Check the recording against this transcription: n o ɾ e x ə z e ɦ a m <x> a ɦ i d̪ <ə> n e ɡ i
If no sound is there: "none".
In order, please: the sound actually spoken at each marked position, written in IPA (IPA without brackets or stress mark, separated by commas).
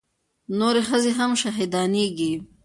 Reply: ʃ, ɑ